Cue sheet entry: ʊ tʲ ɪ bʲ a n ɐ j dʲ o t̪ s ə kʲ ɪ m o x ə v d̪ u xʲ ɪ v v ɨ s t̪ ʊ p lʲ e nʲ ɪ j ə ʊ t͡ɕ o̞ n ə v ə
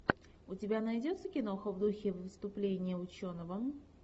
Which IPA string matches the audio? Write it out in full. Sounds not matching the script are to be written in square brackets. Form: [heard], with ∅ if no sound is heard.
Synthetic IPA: ʊ tʲ ɪ bʲ a n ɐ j dʲ o t̪ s ə kʲ ɪ [n] o x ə v d̪ u xʲ ɪ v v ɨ s t̪ ʊ p lʲ e nʲ ɪ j ə ʊ t͡ɕ o̞ n ə v ə